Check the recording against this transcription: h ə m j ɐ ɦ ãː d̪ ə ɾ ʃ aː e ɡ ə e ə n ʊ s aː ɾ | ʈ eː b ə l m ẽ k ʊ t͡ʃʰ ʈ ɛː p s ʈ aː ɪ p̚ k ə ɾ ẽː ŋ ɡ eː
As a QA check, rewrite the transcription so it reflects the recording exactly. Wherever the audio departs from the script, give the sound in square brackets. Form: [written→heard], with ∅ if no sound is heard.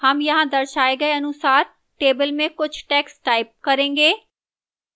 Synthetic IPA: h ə m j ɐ ɦ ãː d̪ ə ɾ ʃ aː e ɡ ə e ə n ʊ s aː ɾ | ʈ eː b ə l m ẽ k ʊ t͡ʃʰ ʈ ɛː [p→k] s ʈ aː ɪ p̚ k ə ɾ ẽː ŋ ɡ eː